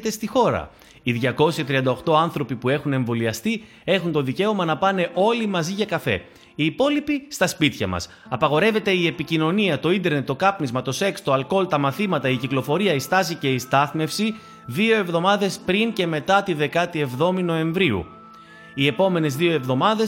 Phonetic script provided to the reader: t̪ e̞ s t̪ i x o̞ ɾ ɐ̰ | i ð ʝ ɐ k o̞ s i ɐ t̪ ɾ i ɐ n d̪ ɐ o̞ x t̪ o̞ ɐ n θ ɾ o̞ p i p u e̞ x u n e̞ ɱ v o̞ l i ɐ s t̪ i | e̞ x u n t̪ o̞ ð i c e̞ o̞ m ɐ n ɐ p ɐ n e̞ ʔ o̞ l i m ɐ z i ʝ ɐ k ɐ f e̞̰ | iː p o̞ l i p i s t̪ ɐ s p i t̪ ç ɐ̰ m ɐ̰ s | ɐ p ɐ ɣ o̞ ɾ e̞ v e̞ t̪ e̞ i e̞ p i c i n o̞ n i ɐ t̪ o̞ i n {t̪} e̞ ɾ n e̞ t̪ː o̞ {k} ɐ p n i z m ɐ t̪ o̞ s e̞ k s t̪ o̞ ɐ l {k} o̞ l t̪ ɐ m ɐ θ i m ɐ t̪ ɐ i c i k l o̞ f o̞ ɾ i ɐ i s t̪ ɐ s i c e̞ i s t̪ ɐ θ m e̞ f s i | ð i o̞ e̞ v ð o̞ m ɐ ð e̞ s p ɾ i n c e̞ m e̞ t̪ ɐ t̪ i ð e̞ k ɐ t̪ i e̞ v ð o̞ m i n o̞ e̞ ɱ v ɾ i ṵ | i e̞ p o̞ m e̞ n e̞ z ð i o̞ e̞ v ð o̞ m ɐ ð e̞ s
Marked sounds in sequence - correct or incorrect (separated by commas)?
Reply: incorrect, correct, correct